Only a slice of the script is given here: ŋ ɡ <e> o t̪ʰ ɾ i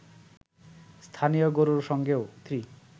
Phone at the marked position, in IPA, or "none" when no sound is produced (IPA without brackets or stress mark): e